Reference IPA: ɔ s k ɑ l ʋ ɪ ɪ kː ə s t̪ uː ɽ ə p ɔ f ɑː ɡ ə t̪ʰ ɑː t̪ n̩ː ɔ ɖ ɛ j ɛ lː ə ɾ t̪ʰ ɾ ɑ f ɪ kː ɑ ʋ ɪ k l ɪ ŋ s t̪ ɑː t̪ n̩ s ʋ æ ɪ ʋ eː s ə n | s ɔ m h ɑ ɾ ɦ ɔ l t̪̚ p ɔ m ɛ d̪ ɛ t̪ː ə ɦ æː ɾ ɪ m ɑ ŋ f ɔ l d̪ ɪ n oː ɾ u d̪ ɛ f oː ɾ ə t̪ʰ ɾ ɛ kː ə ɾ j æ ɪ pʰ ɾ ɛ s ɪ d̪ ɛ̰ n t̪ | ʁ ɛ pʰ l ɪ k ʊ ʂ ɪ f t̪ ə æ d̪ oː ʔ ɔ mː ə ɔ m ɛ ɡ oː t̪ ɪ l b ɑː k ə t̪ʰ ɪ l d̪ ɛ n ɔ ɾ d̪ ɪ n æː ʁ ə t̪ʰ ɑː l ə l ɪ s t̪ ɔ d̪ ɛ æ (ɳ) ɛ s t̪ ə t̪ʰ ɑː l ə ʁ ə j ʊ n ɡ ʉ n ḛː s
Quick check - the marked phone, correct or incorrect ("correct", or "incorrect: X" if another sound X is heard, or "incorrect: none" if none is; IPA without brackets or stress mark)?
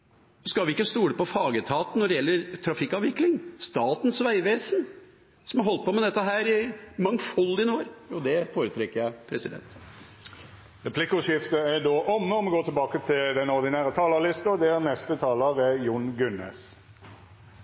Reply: incorrect: n